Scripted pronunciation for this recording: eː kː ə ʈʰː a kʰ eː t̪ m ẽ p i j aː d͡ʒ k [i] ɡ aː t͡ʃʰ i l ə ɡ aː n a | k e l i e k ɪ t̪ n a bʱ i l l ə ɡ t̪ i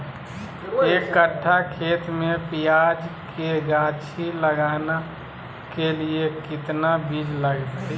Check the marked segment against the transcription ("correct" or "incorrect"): incorrect